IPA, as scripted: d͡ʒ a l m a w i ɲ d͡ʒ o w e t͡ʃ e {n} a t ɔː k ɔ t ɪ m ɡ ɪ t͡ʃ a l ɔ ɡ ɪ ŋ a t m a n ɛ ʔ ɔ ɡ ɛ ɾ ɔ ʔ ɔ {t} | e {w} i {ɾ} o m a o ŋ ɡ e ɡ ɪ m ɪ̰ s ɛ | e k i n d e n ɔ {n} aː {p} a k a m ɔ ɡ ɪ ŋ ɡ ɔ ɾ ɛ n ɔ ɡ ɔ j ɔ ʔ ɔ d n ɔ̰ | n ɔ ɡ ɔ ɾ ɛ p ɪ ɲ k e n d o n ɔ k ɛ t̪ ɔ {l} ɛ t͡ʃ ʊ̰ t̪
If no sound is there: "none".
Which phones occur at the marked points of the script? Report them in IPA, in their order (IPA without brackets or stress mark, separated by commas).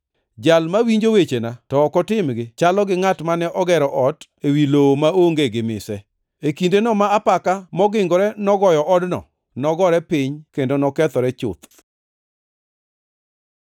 n, t, w, l, m, p, ɾ